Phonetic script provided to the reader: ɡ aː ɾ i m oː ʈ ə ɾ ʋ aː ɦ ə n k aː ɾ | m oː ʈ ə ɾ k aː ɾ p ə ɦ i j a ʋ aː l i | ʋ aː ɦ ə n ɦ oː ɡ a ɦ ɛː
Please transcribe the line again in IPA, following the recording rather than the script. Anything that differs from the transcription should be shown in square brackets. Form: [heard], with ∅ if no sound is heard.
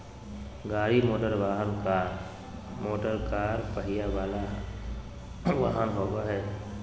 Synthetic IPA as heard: ɡ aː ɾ i m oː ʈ ə ɾ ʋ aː ɦ ə n k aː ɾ | m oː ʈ ə ɾ k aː ɾ p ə ɦ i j a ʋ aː l [a] | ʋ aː ɦ ə n ɦ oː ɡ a ɦ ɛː

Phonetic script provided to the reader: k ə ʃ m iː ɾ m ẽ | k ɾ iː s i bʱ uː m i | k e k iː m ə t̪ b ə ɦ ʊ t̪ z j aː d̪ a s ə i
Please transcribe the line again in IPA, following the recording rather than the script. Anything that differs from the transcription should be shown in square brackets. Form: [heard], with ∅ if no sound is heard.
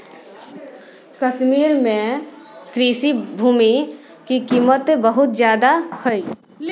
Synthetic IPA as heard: k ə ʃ m iː ɾ m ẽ | k ɾ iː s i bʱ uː m i | k [i] k iː m ə t̪ b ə ɦ ʊ t̪ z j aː d̪ a [h] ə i

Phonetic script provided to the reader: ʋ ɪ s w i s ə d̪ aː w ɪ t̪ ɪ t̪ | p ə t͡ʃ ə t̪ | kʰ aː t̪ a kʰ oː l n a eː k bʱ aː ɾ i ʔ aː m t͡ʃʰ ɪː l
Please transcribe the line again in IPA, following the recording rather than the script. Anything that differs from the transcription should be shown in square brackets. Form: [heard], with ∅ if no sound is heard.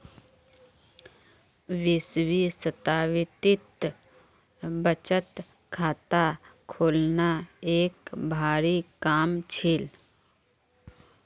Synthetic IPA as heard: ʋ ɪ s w i s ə [t̪] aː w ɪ t̪ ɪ t̪ | [b] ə t͡ʃ ə t̪ | kʰ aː t̪ a kʰ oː l n a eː k bʱ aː ɾ i [k] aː m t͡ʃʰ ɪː l

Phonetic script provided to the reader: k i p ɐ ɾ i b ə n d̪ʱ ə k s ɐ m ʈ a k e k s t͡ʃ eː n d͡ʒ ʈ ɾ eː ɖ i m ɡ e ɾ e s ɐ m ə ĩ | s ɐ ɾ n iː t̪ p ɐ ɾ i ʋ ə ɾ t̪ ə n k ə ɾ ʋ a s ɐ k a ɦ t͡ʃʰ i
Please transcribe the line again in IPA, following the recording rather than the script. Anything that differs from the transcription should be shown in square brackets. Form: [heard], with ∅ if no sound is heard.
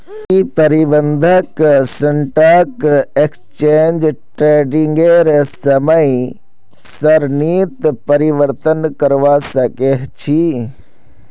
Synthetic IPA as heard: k i p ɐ ɾ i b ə n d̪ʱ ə k s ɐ [ɳ] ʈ a k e k s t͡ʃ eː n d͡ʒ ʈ ɾ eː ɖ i [ŋ] ɡ e ɾ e s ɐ m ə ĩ | s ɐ ɾ n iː t̪ p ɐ ɾ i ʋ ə ɾ t̪ ə n k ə ɾ ʋ a s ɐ k [e] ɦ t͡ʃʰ i

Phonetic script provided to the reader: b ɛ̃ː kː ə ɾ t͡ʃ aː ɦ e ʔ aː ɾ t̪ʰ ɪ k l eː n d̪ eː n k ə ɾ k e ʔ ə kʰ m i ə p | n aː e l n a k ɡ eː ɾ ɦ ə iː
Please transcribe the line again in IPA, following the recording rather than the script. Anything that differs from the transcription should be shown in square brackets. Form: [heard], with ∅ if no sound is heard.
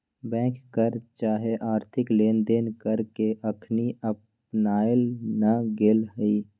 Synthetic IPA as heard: b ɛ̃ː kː ə ɾ t͡ʃ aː ɦ e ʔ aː ɾ t̪ʰ ɪ k l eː n d̪ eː n k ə ɾ k e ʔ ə kʰ [n] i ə p | n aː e l n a [∅] ɡ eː [l] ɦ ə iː

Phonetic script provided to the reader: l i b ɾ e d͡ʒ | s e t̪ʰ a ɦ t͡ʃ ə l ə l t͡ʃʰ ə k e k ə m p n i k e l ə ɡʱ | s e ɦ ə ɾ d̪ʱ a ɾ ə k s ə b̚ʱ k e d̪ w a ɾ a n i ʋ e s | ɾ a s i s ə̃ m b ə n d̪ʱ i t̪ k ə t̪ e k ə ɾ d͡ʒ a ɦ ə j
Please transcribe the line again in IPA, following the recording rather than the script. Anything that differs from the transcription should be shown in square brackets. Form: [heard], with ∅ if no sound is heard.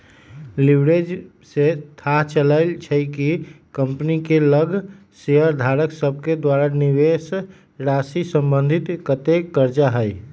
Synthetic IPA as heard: l i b ɾ e d͡ʒ | s e t̪ʰ a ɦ t͡ʃ ə l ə l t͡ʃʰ ə k [i] k ə m p n i k e l ə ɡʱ | s e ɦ ə ɾ d̪ʱ a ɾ ə k s ə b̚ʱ k e d̪ w a ɾ a n i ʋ e s | ɾ a s i s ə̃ m b ə n d̪ʱ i t̪ k ə t̪ e k ə ɾ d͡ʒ a ɦ ə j

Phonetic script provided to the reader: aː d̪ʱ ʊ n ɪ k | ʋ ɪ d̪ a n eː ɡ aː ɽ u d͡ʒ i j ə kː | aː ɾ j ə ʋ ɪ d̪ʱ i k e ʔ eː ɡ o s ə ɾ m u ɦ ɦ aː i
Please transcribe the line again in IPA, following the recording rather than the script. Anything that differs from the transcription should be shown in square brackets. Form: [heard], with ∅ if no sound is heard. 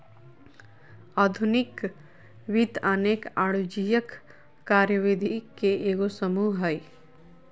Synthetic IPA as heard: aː d̪ʱ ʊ n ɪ k | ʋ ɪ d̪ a n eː [k] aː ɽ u d͡ʒ i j ə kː | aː ɾ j ə ʋ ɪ d̪ʱ i k e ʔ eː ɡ o s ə [∅] m u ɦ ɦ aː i

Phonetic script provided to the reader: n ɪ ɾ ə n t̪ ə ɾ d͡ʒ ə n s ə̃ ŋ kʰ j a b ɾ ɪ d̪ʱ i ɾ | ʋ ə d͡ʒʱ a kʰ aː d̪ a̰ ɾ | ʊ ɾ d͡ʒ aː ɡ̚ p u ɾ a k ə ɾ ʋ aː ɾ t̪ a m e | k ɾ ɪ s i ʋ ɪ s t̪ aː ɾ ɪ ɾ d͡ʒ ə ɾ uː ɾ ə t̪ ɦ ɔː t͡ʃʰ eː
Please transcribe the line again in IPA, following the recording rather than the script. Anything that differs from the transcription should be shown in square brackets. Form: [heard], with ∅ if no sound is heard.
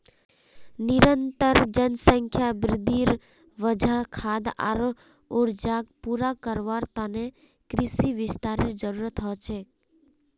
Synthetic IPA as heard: n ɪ ɾ ə n t̪ ə ɾ d͡ʒ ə n s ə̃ ŋ kʰ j a b ɾ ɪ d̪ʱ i ɾ | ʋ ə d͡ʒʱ a kʰ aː d̪ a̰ ɾ | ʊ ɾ d͡ʒ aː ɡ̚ p u ɾ a k ə ɾ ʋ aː ɾ t̪ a [n] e | k ɾ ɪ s i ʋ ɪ s t̪ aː ɾ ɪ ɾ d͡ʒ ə ɾ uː ɾ ə t̪ ɦ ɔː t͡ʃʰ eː

